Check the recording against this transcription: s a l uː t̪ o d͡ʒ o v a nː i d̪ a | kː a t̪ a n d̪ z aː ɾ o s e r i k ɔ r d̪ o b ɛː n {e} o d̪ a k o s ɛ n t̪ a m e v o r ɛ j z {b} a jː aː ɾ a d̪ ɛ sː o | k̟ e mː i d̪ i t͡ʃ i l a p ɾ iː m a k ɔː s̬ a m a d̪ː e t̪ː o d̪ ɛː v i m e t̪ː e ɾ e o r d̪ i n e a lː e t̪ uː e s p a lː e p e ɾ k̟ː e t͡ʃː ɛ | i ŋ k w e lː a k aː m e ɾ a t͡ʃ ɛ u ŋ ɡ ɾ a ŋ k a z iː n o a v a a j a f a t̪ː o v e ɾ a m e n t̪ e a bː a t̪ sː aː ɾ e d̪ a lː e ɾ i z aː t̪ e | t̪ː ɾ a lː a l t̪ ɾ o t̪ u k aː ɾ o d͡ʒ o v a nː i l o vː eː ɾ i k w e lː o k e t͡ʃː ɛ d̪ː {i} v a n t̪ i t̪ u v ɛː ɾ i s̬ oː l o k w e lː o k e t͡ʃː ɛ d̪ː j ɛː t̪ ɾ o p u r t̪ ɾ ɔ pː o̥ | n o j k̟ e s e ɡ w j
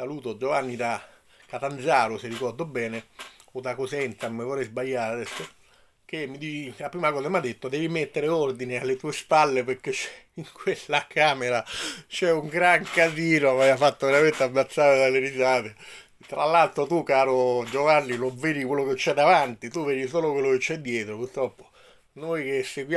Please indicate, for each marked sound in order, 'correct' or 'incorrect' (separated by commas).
correct, correct, incorrect